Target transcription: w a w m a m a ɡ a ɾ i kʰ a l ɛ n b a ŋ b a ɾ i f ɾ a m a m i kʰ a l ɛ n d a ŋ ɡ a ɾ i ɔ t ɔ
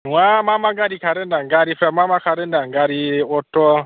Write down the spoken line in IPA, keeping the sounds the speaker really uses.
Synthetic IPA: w a m a m a ɡ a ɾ i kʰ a ɾ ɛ n d a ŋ ɡ a ɾ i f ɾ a m a m a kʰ a ɾ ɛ n d a ŋ ɡ a ɾ i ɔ t ɔ